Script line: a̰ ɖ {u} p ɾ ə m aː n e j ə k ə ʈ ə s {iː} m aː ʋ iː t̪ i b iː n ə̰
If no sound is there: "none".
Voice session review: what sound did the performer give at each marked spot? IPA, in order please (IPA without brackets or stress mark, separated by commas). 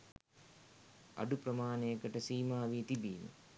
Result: u, iː